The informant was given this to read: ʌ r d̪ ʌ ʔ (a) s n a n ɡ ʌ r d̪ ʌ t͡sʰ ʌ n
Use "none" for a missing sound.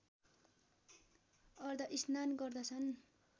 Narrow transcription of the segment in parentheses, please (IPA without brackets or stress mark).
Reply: i